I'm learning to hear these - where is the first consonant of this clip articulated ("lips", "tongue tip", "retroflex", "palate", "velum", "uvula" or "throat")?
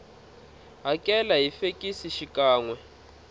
throat